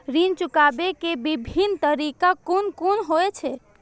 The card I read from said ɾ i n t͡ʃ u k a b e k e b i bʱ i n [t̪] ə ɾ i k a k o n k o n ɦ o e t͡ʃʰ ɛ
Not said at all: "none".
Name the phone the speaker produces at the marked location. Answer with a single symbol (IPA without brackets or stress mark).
t̪